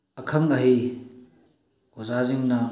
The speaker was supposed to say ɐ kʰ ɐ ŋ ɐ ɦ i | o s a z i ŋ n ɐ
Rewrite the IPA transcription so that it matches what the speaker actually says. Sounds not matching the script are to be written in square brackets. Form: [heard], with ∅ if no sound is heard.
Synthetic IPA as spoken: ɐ kʰ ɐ ŋ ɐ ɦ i | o [z] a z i ŋ n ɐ

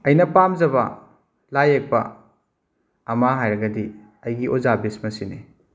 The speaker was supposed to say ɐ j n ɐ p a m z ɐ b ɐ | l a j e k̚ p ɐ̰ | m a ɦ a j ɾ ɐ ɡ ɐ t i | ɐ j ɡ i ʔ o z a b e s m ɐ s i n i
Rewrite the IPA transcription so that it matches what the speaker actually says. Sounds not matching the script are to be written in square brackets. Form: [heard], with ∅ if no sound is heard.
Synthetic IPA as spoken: ɐ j n ɐ p a m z ɐ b ɐ | l a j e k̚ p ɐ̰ | m a ɦ a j ɾ ɐ ɡ ɐ [d] i | ɐ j ɡ i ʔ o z a b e s m ɐ s i n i

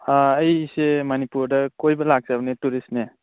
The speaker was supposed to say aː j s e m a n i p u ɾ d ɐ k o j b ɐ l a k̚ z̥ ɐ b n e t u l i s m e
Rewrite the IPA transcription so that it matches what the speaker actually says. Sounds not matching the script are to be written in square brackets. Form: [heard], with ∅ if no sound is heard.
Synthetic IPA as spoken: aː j s e m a n i p u ɾ d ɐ k o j b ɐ l a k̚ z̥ [a] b n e t u [ɾ] i s [n] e

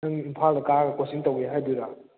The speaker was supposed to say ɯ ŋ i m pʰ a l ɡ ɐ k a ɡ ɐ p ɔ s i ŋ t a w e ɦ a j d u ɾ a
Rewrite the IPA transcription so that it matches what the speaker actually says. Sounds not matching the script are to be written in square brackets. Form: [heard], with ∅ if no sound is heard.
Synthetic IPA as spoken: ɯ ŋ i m pʰ a l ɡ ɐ k a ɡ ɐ [k] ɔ s i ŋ t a w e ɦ a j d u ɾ a

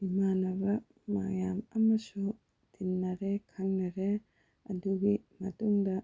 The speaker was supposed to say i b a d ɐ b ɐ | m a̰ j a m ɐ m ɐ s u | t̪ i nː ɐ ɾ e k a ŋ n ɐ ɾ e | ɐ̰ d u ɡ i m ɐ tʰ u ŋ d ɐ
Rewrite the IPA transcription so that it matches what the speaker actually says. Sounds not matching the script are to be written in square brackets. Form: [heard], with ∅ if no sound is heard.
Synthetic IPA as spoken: i [m] a [n] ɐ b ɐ | m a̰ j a m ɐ m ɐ s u | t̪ i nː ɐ ɾ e [kʰ] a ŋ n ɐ ɾ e | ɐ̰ d u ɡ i m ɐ [t] u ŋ d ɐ

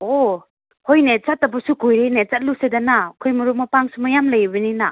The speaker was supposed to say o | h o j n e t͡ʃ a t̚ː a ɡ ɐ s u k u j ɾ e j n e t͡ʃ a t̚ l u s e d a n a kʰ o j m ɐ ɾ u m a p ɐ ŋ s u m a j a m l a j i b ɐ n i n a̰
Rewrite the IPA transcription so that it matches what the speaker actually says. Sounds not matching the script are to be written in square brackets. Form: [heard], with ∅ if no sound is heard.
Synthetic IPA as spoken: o | h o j n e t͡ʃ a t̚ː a [b] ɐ s u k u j ɾ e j n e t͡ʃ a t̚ l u s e d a n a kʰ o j m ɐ ɾ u m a p [a] ŋ s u m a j a m l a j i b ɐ n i n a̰

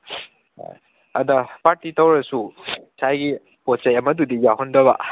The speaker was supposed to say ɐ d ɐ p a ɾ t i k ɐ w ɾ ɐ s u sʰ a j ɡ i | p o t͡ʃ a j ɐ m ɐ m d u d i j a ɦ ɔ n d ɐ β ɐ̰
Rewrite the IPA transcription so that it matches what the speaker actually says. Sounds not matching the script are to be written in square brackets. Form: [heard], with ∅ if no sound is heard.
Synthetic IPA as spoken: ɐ d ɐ p a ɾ t i [t] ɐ w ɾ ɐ s u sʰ a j ɡ i | p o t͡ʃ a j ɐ m ɐ [∅] d u d i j a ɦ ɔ n d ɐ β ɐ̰

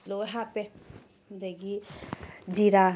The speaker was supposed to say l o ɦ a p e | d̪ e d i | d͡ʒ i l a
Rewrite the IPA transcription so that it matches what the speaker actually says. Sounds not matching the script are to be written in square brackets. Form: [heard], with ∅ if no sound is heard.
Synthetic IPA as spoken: l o ɦ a p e | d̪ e [ɡ] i | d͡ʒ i [ɾ] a

